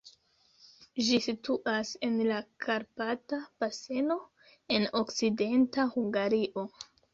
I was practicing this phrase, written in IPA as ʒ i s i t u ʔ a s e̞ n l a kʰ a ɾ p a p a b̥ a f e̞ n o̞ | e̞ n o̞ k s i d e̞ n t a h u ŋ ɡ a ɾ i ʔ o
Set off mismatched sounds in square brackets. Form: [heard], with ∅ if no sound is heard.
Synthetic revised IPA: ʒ i s i t u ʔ a s e̞ n l a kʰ a ɾ p a [t] a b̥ a [s] e̞ n o̞ | e̞ n o̞ k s i d e̞ n t a h u ŋ ɡ a ɾ i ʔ o